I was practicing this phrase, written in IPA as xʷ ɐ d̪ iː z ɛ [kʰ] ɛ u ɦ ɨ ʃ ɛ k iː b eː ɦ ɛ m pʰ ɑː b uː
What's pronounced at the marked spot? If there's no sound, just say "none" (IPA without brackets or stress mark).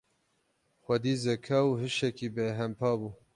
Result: kʰ